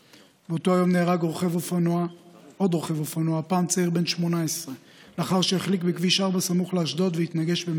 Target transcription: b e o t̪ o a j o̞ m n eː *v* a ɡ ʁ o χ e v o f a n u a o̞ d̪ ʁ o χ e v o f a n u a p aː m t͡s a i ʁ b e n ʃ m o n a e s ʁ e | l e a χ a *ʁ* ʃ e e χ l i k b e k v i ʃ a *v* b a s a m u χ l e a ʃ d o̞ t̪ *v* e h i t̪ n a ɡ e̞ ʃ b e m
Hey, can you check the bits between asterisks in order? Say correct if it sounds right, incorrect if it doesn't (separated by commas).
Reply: incorrect, correct, incorrect, correct